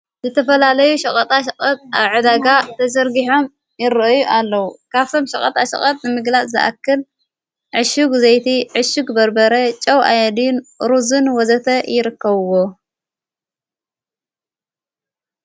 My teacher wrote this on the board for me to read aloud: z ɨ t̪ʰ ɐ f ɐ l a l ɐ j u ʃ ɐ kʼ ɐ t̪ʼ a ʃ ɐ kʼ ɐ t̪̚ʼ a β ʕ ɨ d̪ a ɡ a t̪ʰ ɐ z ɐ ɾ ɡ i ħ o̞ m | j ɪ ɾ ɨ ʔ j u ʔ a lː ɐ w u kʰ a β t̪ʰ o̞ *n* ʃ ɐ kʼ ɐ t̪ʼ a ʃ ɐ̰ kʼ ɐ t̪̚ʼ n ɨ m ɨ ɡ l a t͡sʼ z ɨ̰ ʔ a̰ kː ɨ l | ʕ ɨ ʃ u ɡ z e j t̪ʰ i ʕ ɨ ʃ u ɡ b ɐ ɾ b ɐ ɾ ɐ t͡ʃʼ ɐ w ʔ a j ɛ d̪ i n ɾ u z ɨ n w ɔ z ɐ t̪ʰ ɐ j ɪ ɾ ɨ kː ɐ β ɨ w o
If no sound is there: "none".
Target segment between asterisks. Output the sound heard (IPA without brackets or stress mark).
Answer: m